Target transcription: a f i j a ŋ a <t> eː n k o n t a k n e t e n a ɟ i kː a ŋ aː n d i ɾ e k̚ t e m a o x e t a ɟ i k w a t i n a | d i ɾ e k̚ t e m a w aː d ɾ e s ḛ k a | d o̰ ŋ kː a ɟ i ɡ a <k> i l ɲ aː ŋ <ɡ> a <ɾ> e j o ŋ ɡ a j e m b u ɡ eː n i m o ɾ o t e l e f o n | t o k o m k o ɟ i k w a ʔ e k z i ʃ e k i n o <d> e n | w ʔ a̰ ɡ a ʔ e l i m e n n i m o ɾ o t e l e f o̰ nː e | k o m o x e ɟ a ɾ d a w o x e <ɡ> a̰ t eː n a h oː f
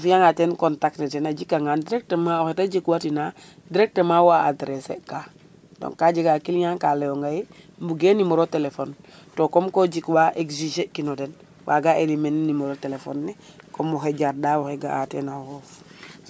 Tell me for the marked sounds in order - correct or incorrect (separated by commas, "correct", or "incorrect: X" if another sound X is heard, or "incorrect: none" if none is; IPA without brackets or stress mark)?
correct, correct, incorrect: k, incorrect: l, correct, correct